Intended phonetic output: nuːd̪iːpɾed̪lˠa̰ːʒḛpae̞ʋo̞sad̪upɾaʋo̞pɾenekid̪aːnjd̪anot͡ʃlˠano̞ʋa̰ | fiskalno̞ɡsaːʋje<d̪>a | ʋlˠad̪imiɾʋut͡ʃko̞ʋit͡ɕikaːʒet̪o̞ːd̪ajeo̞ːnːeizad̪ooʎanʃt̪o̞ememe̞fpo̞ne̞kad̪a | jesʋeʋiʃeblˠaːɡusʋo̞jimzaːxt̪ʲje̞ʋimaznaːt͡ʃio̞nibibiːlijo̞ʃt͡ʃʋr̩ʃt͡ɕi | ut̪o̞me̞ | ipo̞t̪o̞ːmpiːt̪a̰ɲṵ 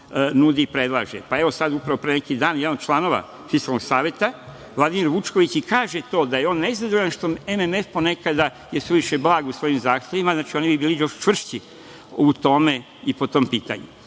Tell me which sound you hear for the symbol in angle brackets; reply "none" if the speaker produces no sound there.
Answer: t̪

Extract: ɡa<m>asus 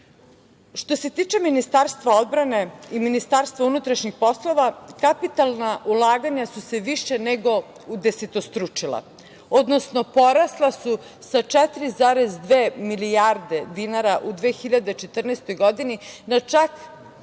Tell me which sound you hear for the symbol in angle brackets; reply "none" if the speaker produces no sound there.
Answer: ɲ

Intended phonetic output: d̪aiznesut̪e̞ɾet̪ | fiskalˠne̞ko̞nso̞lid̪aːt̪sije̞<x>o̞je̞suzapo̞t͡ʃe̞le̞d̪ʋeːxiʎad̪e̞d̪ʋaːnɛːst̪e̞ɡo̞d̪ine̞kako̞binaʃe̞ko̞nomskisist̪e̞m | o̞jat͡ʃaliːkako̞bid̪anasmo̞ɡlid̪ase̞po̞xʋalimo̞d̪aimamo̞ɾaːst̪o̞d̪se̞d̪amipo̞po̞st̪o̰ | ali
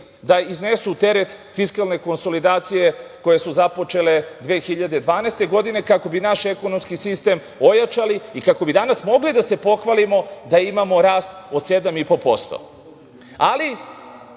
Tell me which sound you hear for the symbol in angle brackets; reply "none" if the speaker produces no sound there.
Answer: k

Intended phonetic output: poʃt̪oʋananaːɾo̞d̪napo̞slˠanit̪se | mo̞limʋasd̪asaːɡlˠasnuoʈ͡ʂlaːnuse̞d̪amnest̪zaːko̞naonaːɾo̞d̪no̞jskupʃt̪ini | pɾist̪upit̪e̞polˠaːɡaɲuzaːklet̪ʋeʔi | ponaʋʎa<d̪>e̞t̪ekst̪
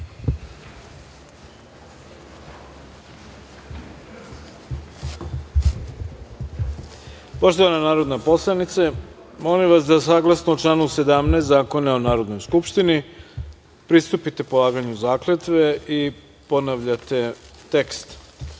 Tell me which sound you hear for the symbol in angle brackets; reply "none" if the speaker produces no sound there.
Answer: t̪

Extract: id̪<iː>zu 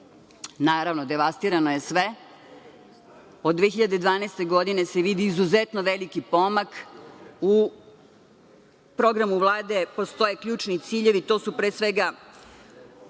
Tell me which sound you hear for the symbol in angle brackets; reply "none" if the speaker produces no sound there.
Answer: iː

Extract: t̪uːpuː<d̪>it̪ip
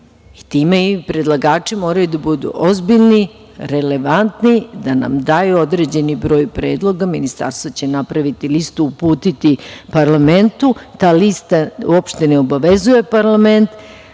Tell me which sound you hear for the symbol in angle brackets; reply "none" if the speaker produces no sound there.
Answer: t̪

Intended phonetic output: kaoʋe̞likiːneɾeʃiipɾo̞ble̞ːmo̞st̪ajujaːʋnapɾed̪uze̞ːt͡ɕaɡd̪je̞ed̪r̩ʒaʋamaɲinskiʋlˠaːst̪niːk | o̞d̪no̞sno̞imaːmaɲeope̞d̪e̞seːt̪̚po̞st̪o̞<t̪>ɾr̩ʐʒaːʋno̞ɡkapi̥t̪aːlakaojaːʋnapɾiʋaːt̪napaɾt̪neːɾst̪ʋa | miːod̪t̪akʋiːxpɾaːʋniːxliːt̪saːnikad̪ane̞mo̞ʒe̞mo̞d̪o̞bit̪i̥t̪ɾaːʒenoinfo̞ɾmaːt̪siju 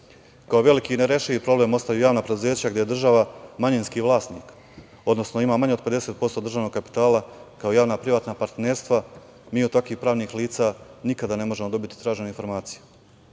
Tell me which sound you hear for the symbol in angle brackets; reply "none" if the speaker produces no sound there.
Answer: d̪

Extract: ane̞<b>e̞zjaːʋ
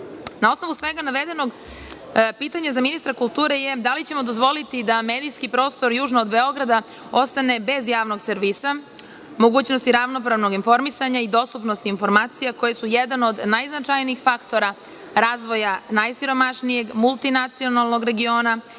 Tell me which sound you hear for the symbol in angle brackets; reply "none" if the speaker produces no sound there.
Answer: b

